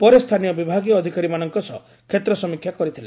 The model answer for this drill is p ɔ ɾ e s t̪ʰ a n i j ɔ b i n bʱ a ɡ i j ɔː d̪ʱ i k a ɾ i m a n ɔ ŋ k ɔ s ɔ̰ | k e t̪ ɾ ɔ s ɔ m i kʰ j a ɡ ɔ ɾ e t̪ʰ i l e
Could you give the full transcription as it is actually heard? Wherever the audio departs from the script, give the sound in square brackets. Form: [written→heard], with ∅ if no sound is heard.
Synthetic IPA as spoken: p ɔ ɾ e s t̪ʰ a n i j ɔ b i [n→∅] bʱ a ɡ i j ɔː d̪ʱ i k a ɾ i m a n ɔ ŋ k ɔ s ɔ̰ | [k→kʰ] e t̪ ɾ ɔ s ɔ m i kʰ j a [ɡ→k] ɔ ɾ [e→i] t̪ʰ i l e